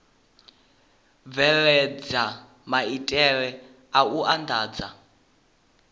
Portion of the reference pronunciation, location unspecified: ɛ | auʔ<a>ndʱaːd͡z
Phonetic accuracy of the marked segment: correct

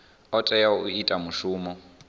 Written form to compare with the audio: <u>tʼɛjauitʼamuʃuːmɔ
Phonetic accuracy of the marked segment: incorrect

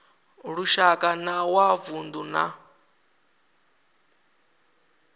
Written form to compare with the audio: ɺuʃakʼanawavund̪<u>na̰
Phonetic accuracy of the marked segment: correct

